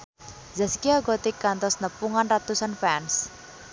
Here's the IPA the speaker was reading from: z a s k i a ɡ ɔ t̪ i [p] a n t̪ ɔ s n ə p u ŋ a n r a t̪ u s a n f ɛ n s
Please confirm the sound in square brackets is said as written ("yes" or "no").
no